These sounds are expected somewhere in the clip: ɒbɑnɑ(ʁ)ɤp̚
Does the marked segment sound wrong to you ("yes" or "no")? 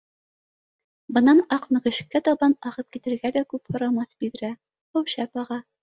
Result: no